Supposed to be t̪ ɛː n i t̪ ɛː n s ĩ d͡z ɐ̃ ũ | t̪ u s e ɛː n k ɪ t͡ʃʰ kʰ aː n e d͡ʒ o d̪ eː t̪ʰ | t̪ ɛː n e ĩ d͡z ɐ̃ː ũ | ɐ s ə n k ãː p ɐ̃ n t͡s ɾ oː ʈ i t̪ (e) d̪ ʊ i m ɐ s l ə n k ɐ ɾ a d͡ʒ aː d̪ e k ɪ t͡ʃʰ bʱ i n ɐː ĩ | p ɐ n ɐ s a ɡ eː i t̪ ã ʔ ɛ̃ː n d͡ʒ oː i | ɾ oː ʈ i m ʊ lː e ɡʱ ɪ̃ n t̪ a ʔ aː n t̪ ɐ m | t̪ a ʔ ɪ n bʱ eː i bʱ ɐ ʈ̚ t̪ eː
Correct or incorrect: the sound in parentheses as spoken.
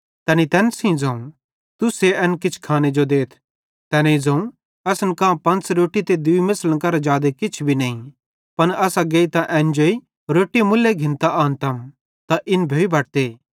correct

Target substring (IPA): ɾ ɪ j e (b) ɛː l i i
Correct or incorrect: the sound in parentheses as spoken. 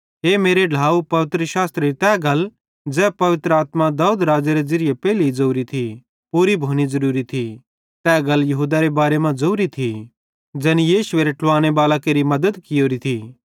incorrect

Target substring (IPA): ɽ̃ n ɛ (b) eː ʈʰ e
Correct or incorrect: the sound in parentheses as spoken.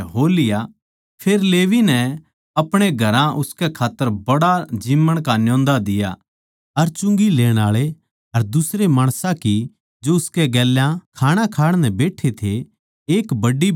correct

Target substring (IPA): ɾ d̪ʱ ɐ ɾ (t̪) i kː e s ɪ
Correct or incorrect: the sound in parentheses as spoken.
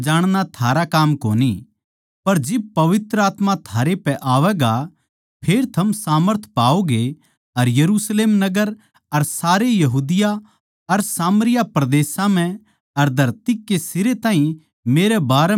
correct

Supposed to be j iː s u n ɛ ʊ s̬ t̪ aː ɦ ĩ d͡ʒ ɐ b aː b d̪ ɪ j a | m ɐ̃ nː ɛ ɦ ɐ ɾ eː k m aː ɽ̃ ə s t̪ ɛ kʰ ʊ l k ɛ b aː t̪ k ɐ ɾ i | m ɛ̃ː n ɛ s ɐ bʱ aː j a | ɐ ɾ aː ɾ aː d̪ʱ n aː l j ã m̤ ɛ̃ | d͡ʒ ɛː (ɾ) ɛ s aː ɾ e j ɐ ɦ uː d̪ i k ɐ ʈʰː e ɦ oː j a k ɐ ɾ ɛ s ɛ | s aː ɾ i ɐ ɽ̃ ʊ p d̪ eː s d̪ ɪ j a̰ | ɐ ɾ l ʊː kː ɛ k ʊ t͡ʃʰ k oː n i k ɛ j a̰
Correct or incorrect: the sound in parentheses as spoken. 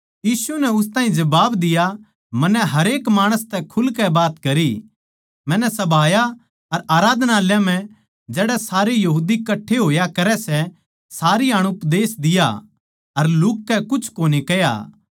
incorrect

